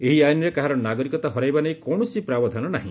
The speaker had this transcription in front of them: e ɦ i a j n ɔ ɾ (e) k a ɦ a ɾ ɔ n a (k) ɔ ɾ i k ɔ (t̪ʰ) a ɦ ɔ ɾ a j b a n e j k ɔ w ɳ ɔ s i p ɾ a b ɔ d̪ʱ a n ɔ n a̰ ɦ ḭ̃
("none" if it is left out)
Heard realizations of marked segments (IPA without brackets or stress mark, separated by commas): e, ɡ, t̪